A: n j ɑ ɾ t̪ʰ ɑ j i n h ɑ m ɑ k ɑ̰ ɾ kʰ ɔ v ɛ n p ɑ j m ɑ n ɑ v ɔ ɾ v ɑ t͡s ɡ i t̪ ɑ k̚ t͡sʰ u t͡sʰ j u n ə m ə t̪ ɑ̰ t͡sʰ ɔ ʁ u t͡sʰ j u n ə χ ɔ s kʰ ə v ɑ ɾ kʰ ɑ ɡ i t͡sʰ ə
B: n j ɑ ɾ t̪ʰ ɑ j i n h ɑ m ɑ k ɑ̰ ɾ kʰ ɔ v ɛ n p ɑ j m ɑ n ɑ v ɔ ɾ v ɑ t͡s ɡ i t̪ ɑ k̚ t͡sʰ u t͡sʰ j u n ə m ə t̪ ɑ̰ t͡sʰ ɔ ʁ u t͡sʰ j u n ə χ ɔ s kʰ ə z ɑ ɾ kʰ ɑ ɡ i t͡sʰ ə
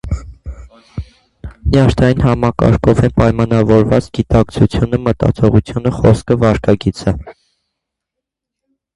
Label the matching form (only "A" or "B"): A